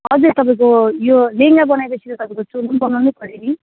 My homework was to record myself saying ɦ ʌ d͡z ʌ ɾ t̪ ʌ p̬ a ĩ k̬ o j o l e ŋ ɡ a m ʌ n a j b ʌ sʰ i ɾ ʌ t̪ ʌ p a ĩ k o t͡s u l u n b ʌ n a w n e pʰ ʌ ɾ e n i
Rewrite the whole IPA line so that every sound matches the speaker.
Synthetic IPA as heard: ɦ ʌ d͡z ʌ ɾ t̪ ʌ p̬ a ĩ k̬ o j o l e ŋ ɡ a b ʌ n a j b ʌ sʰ i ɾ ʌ t̪ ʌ p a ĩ k o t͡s u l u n b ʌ n a w n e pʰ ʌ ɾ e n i